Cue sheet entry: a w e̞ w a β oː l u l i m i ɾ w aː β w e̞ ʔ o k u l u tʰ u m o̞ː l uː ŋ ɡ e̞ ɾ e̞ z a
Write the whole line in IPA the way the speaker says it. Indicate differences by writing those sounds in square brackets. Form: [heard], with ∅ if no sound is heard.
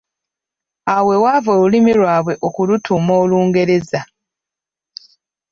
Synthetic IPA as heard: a w e̞ w a [v] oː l u l i m i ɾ w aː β w e̞ ʔ o k u l u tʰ u m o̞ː l uː ŋ ɡ e̞ ɾ e̞ z a